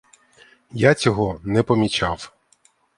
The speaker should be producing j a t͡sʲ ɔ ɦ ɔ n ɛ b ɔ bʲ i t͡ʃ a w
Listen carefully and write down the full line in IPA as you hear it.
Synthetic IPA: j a t͡sʲ ɔ ɦ ɔ n ɛ p ɔ mʲ i t͡ʃ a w